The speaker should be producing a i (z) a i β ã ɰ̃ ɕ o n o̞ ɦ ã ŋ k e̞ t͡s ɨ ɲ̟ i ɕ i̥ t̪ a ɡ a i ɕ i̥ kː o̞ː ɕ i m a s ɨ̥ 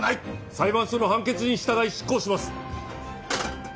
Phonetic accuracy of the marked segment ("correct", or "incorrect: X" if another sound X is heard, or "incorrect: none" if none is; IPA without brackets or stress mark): incorrect: s